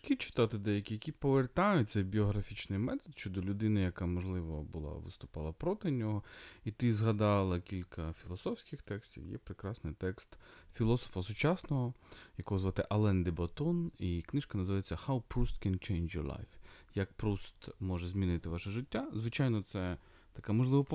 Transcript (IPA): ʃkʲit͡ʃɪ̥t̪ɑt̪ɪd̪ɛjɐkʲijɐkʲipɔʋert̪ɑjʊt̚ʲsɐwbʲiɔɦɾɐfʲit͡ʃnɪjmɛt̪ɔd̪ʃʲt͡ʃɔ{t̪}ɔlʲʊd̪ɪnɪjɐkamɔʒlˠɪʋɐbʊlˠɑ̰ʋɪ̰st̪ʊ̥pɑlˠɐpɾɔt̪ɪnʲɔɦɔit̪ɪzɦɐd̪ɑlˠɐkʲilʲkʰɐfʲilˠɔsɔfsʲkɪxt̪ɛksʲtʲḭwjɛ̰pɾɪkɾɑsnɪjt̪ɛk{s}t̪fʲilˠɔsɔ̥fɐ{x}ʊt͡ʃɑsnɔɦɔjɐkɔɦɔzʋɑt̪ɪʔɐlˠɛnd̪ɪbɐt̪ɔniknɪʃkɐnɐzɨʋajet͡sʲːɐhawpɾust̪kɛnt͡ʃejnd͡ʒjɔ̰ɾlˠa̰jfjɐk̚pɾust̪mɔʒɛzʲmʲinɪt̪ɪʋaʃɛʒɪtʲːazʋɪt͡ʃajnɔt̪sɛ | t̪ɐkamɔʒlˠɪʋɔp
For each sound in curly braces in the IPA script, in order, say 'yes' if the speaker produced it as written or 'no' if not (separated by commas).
no, yes, no